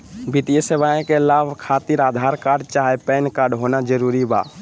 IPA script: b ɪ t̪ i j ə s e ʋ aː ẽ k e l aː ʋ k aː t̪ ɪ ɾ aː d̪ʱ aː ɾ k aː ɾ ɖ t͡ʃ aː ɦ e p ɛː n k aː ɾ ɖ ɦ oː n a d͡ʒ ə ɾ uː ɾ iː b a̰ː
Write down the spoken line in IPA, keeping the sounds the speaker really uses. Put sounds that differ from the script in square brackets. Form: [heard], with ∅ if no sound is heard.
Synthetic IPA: b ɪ t̪ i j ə s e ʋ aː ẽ k e l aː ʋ [kʰ] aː t̪ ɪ ɾ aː d̪ʱ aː ɾ k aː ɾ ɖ t͡ʃ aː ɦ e p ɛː n k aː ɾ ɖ ɦ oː n a d͡ʒ ə ɾ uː ɾ [i] b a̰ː